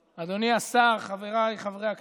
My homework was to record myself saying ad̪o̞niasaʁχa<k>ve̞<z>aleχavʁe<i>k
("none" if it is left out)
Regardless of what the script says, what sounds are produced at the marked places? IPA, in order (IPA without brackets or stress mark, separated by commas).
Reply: none, ʁ, a